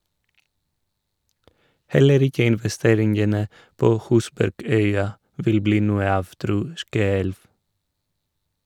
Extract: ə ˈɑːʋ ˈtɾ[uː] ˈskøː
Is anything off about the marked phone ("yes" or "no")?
no